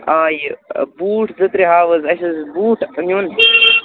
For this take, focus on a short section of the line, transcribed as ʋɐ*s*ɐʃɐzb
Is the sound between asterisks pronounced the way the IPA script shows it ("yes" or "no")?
no